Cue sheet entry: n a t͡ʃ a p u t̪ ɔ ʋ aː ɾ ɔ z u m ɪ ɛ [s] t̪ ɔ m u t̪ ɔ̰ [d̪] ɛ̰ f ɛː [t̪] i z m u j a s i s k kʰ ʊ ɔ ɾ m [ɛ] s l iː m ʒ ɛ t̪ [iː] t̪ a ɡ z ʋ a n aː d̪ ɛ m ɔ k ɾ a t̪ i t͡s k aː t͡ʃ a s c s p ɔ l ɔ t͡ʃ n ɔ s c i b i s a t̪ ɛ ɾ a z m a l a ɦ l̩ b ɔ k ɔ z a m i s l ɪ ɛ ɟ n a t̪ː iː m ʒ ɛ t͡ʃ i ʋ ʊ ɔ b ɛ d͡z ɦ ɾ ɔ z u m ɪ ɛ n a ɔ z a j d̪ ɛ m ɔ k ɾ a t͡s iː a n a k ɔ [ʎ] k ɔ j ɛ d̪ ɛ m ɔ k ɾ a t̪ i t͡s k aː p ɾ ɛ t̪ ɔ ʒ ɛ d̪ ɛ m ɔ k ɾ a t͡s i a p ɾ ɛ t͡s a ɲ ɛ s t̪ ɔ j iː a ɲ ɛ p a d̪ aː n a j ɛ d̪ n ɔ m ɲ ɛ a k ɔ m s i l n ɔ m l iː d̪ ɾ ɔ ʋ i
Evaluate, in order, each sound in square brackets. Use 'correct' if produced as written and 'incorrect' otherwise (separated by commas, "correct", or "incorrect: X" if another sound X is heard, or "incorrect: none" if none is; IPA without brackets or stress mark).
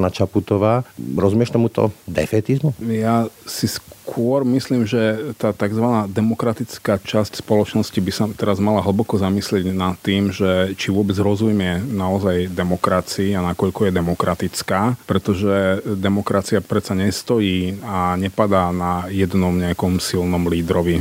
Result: incorrect: ʃ, correct, correct, incorrect: i, incorrect: aː, correct